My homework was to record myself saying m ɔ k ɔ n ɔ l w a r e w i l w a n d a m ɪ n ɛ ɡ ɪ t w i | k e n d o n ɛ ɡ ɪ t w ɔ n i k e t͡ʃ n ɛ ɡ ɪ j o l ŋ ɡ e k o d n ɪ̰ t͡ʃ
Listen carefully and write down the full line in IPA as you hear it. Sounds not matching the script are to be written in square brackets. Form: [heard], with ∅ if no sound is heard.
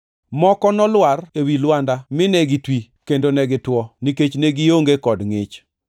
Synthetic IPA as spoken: m ɔ k ɔ n ɔ l w a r e w i l w a n d a m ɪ n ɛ ɡ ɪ t w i | k e n d o n ɛ ɡ ɪ t w ɔ n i k e t͡ʃ n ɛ ɡ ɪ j o [∅] ŋ ɡ e k [ɔ] d [ŋ] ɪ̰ t͡ʃ